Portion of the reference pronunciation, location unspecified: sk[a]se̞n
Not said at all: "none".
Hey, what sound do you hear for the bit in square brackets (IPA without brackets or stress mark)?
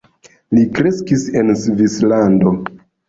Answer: i